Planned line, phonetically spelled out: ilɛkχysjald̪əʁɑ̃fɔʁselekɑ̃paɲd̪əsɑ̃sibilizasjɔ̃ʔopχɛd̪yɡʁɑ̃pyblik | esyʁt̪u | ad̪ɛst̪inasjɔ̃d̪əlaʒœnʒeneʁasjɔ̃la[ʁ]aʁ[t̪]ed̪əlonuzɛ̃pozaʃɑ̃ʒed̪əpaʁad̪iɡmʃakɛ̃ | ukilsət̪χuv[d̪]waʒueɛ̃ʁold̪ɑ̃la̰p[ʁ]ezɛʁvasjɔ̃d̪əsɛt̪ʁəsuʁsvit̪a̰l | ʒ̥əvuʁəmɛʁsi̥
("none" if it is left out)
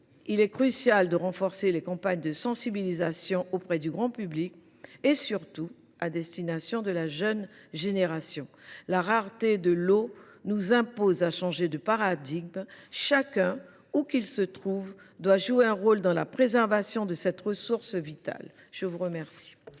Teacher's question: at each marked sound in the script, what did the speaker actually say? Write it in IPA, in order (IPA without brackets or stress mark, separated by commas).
ʁ, t̪, d̪, χ